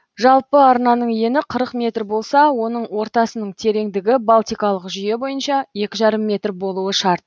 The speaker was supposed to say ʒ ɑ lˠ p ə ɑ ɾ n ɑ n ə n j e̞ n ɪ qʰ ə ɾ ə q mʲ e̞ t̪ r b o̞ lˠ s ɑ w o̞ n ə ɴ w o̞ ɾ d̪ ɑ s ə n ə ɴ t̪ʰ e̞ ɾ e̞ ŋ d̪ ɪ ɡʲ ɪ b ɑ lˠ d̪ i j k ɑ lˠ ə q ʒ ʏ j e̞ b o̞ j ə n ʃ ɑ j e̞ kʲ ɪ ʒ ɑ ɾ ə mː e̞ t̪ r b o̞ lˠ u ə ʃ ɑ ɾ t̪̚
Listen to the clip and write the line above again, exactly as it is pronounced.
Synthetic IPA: ʒ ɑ lˠ p ə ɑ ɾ n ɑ n ə ɴ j e̞ n ɪ qʰ ə ɾ ə q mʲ e̞ t̪ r b o̞ lˠ s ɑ w o̞ n ə ɴ w o̞ ɾ t̪ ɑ s ə n ə ɴ t̪ʰ e̞ ɾ e̞ ŋ d̪ ɪ ɡʲ ɪ b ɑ lˠ t̪ i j k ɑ lˠ ə q ʒ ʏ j e̞ b o̞ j ə n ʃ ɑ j e̞ kʲ ɪ ʒ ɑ ɾ ə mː e̞ t̪ r b o̞ lˠ u ə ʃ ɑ ɾ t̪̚